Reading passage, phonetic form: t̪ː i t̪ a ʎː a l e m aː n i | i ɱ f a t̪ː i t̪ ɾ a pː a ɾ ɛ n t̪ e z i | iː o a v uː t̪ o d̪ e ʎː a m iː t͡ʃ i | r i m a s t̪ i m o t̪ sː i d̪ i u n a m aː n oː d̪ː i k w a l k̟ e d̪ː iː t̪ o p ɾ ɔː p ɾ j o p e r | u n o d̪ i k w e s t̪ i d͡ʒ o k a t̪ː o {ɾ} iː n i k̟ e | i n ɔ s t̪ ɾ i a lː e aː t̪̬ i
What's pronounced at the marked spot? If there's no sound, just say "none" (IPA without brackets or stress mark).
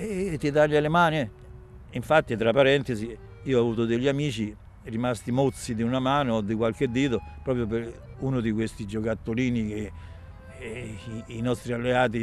l